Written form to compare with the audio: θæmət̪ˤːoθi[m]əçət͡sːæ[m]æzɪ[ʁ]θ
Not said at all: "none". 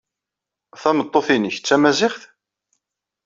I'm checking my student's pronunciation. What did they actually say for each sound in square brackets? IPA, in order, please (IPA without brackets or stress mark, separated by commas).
n, m, χ